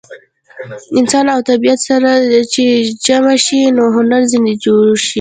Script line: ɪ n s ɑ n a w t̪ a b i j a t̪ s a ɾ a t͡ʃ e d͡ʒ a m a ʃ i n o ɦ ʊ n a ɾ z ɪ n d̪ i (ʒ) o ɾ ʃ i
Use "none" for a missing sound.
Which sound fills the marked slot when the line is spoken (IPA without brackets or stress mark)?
d͡ʒ